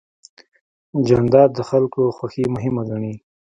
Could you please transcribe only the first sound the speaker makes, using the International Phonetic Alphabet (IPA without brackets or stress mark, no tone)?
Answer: d͡ʒ